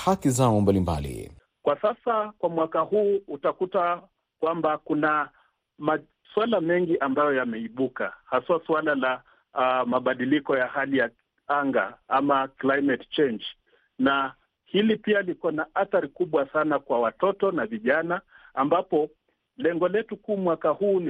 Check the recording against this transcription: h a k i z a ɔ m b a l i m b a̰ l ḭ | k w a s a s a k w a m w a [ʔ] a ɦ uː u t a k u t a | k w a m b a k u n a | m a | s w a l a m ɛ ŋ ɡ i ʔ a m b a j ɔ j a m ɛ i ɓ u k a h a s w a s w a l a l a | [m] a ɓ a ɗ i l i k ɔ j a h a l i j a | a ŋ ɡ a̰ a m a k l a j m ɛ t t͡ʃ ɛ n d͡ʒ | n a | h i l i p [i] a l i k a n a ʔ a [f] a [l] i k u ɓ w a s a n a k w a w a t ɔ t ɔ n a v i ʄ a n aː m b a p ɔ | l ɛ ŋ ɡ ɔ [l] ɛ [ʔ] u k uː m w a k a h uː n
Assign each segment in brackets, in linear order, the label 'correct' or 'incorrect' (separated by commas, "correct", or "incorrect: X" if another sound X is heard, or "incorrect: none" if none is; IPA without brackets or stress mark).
incorrect: k, correct, correct, incorrect: θ, incorrect: ɾ, correct, incorrect: t